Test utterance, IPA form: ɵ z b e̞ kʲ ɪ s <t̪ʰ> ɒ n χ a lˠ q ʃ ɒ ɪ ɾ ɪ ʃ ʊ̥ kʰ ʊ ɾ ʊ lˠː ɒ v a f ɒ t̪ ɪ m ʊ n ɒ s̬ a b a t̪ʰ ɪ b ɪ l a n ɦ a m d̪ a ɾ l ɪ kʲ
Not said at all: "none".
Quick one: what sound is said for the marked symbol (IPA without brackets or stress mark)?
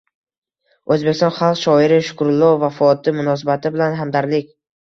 t̪